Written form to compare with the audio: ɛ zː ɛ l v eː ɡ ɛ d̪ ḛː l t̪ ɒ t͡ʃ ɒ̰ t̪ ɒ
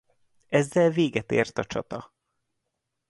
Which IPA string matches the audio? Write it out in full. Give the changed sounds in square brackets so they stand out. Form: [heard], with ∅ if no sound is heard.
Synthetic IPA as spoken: ɛ zː ɛ l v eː ɡ ɛ [t̪] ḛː [r] t̪ ɒ t͡ʃ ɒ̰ t̪ ɒ